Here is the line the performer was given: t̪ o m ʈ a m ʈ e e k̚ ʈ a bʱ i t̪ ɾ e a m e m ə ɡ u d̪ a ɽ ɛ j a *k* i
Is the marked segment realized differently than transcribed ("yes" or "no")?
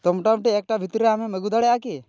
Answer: no